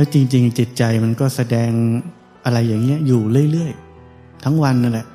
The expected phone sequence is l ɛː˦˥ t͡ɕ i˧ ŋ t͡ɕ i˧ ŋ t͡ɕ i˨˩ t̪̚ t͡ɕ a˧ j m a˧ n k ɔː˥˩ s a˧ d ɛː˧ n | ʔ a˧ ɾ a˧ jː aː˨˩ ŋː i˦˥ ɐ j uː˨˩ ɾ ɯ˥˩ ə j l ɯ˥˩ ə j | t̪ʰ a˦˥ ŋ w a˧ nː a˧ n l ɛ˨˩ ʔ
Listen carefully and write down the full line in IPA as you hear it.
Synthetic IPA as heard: l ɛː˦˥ t͡ɕ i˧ ŋ t͡ɕ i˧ ŋ t͡ɕ i˨˩ t̪̚ t͡ɕ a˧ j m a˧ n k ɔː˥˩ s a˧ d ɛː˧ ŋ | ʔ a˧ ɾ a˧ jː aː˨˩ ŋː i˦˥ ɐ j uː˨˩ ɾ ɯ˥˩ ə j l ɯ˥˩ ə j | t̪ʰ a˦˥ ŋ w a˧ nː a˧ n l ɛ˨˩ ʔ